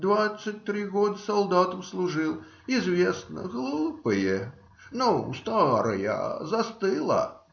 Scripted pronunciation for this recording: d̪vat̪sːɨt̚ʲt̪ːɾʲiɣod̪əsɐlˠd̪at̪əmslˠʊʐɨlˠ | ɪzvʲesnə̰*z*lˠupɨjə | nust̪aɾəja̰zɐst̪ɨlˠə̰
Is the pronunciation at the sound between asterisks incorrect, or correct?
incorrect